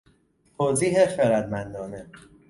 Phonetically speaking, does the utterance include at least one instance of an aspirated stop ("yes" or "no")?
yes